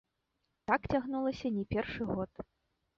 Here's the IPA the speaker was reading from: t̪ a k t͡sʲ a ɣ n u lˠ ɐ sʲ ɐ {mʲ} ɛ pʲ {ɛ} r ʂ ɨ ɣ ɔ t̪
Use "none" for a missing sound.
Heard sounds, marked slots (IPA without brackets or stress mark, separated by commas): nʲ, ɛ